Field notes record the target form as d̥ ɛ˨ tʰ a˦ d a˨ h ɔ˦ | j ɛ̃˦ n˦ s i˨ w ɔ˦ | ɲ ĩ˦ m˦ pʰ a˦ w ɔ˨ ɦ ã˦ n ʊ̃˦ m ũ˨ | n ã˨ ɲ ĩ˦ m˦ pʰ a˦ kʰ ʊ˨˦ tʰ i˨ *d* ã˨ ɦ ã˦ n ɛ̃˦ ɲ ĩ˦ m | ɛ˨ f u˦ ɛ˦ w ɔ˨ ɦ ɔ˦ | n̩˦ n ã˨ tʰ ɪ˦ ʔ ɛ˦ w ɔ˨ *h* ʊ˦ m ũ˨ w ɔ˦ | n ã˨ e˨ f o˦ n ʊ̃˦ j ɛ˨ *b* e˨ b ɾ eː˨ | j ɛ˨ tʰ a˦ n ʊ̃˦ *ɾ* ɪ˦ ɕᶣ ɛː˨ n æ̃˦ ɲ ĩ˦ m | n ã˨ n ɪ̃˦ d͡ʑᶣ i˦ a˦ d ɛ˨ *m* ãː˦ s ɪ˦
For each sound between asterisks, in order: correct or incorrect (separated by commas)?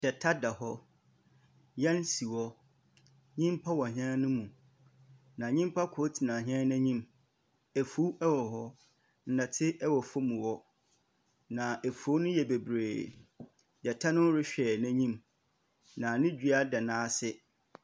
incorrect, incorrect, correct, correct, incorrect